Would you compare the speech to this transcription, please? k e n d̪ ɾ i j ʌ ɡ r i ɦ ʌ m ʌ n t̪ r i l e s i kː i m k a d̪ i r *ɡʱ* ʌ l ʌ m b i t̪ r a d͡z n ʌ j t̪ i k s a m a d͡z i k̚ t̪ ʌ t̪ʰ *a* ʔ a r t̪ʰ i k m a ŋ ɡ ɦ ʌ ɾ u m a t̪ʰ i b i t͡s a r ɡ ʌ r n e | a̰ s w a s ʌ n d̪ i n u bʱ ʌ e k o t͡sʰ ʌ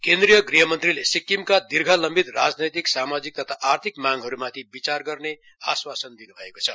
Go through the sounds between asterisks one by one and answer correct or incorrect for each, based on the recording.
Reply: correct, correct

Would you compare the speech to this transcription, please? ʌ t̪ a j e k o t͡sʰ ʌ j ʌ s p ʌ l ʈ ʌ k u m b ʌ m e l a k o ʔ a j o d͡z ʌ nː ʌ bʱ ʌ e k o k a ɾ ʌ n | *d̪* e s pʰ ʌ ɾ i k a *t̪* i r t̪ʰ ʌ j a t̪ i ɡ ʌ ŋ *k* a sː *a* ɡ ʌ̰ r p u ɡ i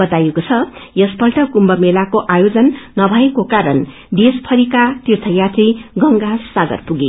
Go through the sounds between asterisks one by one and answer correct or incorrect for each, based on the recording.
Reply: correct, correct, incorrect: ɡ, correct

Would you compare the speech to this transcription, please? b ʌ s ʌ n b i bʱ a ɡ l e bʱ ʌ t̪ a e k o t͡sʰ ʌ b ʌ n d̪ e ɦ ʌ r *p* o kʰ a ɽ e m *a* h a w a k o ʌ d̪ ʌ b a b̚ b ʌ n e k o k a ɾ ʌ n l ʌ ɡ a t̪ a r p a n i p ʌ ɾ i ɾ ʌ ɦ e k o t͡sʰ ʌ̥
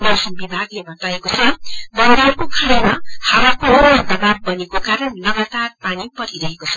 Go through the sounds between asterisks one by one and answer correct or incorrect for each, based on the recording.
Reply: incorrect: k, correct

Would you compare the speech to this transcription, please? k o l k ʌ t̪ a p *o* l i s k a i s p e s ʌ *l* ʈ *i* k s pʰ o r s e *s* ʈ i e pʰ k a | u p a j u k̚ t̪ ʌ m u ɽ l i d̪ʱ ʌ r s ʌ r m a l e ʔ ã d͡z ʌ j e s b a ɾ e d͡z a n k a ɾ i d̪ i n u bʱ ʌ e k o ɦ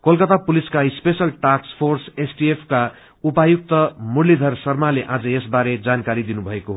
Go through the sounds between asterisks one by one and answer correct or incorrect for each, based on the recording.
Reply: incorrect: u, correct, incorrect: a, correct

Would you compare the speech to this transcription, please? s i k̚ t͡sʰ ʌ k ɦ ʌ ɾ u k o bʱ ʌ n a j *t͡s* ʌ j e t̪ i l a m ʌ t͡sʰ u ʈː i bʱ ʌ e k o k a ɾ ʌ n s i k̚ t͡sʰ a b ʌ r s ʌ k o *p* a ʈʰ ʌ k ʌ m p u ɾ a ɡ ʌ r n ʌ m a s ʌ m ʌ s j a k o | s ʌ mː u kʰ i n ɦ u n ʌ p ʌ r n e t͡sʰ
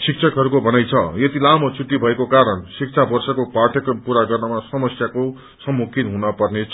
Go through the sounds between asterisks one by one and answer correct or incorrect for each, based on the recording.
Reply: incorrect: t͡sʰ, correct

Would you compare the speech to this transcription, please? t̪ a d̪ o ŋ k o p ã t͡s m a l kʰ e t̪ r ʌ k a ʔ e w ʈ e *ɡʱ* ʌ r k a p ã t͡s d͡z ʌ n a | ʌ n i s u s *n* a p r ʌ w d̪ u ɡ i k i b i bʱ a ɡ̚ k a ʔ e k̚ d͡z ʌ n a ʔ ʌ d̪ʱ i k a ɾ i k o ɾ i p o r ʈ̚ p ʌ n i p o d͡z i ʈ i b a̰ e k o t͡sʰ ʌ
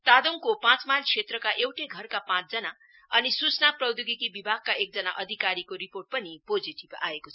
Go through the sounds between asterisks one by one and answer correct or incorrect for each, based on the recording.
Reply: correct, correct

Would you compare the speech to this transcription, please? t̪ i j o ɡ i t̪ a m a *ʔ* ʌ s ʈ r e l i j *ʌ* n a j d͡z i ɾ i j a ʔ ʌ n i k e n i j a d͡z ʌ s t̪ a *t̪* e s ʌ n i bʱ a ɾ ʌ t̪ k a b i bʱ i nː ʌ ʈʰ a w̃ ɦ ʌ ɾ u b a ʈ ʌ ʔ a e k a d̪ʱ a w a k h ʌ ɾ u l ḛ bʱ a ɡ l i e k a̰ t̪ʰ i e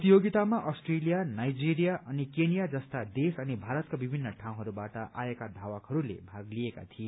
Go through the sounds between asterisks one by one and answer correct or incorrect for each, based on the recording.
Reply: correct, incorrect: a, incorrect: d̪

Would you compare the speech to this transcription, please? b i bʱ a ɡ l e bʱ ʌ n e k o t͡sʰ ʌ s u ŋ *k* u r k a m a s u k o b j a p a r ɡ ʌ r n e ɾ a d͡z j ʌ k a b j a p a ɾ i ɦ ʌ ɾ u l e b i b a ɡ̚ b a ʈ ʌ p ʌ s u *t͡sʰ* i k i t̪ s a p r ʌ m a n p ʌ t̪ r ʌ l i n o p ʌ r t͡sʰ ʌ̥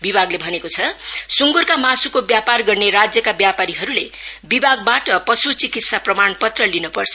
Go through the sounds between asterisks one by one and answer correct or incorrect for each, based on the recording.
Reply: incorrect: ɡ, incorrect: t͡s

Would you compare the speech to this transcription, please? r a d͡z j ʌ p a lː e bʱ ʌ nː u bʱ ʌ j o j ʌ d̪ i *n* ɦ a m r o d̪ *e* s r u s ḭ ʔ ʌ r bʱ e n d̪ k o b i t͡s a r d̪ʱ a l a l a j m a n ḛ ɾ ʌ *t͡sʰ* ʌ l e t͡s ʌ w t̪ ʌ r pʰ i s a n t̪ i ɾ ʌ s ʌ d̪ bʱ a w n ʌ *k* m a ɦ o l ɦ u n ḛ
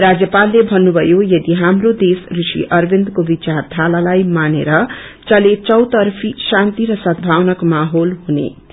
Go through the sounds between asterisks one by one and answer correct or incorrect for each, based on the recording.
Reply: incorrect: none, correct, incorrect: t͡s, correct

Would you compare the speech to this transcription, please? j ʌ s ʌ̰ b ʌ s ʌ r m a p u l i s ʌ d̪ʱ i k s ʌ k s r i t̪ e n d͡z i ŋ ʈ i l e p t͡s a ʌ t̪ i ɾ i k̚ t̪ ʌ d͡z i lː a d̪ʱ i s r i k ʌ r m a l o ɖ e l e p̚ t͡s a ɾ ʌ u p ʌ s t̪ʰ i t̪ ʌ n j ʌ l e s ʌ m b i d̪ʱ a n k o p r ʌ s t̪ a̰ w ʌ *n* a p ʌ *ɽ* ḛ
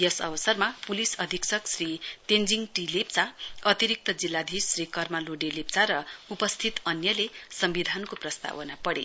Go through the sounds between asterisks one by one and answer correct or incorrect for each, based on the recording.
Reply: correct, correct

